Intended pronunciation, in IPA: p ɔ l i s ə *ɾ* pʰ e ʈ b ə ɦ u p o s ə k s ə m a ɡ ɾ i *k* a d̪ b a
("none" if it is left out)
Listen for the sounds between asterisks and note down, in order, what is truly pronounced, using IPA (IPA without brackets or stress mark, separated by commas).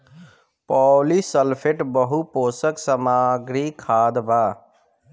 l, kʰ